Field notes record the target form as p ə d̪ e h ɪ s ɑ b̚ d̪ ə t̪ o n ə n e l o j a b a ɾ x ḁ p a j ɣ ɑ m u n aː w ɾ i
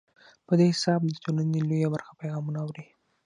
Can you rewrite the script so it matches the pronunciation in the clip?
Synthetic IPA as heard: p ə d̪ e h ɪ s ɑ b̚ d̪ ə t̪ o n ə n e l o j a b a ɾ x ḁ p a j ɣ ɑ m u n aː w ɾ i